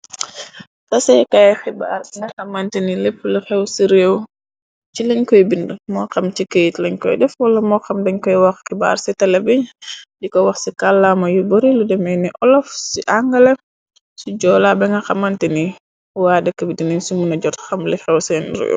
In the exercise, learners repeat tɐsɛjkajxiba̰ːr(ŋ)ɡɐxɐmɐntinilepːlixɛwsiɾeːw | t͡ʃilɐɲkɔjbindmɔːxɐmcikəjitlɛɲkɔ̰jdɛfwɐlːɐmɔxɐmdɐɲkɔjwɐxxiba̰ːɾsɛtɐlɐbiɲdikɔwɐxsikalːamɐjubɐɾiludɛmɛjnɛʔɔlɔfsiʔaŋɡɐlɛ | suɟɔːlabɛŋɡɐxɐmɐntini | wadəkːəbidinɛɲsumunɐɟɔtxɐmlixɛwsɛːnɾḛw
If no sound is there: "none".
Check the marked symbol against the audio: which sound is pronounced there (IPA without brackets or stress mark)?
ŋ